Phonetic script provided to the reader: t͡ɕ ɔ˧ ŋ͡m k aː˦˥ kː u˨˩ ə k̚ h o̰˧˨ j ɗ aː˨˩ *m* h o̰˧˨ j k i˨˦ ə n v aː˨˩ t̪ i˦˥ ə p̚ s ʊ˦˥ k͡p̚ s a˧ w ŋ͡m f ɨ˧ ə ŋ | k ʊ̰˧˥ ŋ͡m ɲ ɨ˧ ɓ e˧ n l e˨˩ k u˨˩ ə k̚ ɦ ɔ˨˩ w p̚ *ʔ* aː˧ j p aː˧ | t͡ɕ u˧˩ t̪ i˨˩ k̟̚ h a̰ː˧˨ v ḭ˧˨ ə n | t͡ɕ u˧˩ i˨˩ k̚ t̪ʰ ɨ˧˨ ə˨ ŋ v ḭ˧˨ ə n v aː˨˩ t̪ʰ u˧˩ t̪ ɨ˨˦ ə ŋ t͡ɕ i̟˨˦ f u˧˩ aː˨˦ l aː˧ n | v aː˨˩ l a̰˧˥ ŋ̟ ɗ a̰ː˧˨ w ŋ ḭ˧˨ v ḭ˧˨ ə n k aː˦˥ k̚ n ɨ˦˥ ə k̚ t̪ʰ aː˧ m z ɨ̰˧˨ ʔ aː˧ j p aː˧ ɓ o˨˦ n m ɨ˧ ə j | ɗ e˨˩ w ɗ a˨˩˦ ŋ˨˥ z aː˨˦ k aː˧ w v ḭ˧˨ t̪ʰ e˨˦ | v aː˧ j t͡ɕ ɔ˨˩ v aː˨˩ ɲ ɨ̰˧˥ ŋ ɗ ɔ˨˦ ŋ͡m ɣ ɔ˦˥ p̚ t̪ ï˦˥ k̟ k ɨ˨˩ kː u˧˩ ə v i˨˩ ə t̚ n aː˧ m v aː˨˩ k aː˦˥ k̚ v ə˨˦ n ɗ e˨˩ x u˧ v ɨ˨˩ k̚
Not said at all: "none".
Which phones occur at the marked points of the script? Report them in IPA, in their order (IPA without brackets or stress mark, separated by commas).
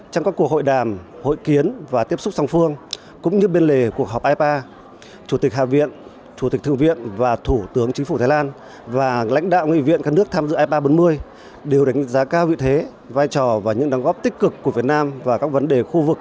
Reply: m, ʔ